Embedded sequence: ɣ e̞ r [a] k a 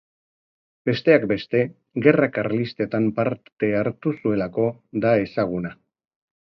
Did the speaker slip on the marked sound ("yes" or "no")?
no